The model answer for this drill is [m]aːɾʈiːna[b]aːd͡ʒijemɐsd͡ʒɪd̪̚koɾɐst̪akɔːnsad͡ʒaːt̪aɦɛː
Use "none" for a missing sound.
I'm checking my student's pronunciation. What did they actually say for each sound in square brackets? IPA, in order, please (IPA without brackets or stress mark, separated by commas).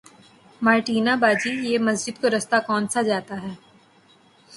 m, b